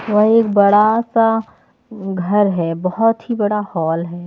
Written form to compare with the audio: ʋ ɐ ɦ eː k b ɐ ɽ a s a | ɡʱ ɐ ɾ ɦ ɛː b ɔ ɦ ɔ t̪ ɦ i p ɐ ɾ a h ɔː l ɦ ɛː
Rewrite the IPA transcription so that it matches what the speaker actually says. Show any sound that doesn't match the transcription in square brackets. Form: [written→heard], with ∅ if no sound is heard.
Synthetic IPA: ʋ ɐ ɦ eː k b ɐ ɽ a s a | ɡʱ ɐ ɾ ɦ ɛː b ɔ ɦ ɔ t̪ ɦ i [p→b] ɐ [ɾ→ɽ] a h ɔː l ɦ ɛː

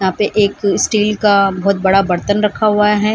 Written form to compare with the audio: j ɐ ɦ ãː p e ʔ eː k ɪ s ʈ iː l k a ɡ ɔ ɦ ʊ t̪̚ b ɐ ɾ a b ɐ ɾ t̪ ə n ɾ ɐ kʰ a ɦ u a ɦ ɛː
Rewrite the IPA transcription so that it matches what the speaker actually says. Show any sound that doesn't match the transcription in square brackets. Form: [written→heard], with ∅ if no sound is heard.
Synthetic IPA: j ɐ ɦ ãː p e ʔ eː k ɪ s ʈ iː l k a [ɡ→b] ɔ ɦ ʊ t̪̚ b ɐ [ɾ→ɽ] a b ɐ ɾ t̪ ə n ɾ ɐ kʰ a ɦ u a ɦ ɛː

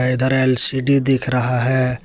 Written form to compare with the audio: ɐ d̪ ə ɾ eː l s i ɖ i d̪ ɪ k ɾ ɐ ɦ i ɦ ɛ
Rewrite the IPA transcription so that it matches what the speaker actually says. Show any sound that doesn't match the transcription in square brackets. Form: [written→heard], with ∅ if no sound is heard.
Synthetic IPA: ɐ d̪ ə ɾ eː l s i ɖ i d̪ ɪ [k→kʰ] ɾ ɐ ɦ [i→a] ɦ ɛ

